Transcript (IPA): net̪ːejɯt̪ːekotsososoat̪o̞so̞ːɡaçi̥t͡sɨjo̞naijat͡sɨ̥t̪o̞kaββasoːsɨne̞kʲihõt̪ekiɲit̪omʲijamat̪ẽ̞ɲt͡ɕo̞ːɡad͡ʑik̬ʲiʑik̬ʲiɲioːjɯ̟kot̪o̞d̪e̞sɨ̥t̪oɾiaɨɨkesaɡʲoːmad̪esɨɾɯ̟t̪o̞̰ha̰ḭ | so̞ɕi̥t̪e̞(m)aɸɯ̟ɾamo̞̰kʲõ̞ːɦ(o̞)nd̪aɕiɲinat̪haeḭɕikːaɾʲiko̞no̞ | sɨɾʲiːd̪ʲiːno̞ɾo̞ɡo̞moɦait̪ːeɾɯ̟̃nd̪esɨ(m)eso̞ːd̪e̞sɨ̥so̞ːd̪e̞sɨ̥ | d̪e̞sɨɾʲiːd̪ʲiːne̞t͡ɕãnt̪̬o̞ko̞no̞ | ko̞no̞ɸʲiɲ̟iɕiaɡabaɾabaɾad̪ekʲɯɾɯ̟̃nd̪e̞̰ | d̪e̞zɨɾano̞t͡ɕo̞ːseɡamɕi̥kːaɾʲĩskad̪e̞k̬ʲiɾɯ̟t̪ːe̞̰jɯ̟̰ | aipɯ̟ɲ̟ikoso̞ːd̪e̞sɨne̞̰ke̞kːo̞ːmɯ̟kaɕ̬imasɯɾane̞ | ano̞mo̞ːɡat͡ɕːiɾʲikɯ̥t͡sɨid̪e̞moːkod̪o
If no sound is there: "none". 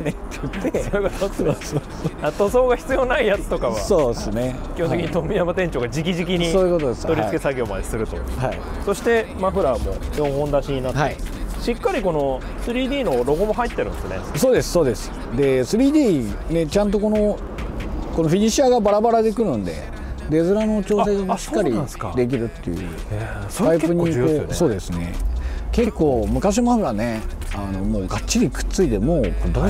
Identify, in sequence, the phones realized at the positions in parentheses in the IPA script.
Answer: m, õ̞, n

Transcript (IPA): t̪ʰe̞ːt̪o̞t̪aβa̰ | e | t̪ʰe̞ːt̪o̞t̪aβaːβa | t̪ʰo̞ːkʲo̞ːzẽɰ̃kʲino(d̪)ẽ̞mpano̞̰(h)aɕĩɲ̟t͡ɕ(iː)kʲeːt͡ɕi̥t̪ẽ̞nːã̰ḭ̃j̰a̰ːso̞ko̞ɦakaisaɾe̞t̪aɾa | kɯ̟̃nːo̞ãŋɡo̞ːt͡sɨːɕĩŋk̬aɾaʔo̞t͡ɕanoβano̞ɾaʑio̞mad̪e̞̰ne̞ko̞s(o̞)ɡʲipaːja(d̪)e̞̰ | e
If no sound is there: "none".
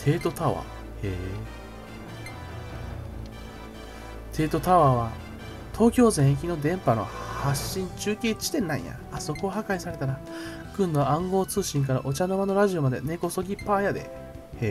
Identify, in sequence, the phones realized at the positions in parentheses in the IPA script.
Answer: d̪, h, ɨː, o̞, d̪

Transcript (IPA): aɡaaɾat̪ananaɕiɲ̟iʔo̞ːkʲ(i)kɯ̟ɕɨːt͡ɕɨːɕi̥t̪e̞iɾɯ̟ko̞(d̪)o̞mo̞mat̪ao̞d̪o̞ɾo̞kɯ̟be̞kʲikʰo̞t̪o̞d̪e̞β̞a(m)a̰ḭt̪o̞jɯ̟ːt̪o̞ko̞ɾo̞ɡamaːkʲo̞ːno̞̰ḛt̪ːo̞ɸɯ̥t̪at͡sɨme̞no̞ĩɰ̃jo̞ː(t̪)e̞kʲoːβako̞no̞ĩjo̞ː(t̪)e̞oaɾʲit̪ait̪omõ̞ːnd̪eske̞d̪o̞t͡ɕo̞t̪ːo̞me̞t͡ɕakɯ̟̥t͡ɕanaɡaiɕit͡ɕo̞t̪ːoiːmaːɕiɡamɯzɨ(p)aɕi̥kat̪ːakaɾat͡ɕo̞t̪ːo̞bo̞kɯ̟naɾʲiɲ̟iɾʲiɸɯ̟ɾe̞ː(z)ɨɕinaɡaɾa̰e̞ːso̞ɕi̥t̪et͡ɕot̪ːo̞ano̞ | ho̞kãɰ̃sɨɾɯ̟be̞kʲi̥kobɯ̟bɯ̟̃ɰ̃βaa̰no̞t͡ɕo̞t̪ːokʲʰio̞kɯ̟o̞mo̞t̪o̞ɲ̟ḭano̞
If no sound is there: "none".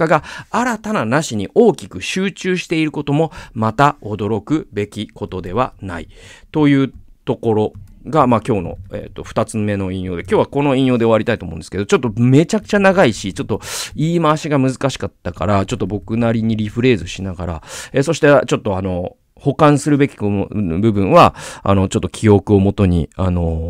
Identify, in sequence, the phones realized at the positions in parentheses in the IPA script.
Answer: i, t̪, n, d̪, d̪, k, z

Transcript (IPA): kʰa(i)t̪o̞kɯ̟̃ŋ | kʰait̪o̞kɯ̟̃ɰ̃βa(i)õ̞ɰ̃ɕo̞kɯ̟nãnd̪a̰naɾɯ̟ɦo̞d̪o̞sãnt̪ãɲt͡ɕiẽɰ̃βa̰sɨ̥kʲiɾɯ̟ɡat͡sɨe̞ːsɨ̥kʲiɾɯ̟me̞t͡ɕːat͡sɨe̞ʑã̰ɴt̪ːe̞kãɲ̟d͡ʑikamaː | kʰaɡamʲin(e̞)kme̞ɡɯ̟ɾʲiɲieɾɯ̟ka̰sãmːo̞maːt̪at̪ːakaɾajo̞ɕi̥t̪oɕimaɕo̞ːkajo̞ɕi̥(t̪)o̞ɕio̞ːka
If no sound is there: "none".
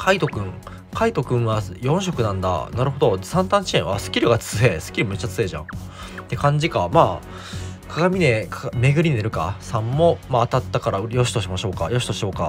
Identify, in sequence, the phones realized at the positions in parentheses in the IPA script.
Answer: i, j, e̞, t̪

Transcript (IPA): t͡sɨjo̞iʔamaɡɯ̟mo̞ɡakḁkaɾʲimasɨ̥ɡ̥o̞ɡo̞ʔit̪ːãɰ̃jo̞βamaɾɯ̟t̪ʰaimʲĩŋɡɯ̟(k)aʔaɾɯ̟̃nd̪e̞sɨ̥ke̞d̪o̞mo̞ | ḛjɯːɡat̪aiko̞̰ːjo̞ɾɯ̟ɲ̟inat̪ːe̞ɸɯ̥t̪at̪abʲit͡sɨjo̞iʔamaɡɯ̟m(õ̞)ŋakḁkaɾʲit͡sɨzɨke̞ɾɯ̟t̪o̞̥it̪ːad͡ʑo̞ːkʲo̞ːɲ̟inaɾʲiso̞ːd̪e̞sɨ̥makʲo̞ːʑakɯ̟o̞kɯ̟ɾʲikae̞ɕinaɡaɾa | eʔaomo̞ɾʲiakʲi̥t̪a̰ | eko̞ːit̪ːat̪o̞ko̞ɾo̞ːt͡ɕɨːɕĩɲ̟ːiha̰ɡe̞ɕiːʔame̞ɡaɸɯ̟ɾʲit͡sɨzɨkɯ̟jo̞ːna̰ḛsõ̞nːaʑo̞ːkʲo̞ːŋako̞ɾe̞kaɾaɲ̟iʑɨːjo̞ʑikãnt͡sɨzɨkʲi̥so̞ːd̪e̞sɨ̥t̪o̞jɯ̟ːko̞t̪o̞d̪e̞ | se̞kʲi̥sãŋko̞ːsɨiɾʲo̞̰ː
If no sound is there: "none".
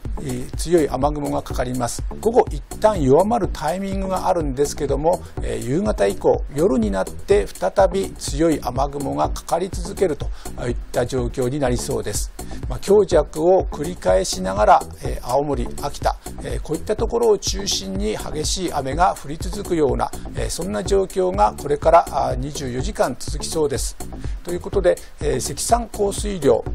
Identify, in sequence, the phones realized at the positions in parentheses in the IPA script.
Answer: ɡ, o̞

